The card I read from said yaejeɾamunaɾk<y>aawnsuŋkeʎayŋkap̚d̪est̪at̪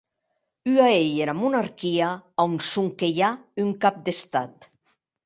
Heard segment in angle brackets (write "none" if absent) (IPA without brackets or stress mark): i